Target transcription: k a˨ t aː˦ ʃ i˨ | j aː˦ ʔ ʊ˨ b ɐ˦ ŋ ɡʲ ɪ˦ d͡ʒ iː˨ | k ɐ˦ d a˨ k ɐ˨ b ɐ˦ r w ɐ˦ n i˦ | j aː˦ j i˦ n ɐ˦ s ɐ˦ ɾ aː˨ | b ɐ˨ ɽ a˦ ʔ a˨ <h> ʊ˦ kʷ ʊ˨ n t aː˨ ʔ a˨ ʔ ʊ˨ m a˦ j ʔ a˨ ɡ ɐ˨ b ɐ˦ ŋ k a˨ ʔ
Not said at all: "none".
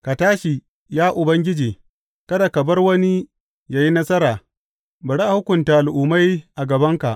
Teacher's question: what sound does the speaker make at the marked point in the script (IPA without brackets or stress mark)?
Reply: h